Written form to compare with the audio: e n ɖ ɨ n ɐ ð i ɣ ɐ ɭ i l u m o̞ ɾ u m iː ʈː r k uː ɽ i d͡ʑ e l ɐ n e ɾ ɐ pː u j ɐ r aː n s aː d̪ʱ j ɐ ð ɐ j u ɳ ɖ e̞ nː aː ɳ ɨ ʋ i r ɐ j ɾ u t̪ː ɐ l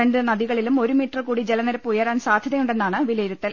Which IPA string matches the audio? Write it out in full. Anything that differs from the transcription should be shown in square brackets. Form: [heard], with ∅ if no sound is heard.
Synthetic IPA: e [ɳ] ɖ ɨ n ɐ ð i ɣ ɐ ɭ i l u m o̞ ɾ u m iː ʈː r k uː ɽ i d͡ʑ e l ɐ n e ɾ ɐ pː u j ɐ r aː n s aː d̪ʱ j ɐ ð ɐ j u ɳ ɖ e̞ nː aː ɳ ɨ ʋ i [l] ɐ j ɾ u t̪ː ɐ l